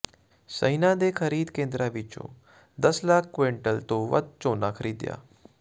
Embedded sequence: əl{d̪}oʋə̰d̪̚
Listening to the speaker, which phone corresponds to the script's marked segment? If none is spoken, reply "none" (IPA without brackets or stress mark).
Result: t̪